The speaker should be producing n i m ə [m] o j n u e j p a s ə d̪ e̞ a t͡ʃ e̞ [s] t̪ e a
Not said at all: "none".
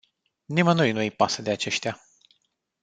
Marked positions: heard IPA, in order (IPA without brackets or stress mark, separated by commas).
n, ʃ